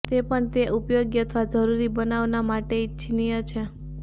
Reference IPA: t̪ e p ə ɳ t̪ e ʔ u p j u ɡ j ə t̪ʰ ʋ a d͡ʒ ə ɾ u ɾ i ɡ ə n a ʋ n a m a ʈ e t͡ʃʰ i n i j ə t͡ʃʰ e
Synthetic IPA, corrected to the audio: t̪ e p ə ɳ t̪ e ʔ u p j o ɡ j ə t̪ʰ ʋ a d͡ʒ ə ɾ u ɾ i b ə n a ʋ n a m a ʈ e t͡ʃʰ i n i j ə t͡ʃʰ e